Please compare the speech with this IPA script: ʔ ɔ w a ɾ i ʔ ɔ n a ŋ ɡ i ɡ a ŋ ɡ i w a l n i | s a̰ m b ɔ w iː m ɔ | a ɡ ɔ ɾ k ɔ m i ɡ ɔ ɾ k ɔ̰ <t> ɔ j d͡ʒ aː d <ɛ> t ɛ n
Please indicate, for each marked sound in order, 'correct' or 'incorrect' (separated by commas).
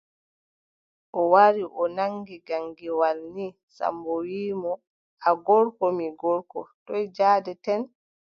correct, correct